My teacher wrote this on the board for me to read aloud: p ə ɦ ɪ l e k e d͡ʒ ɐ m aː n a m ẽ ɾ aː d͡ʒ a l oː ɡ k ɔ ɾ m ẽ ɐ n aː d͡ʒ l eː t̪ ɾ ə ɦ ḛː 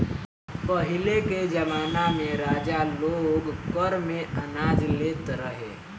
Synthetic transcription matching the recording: p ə ɦ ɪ l e k e d͡ʒ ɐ m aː n a m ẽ ɾ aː d͡ʒ a l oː ɡ k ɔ ɾ m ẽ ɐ n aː d͡ʒ l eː t̪ ɾ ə ɦ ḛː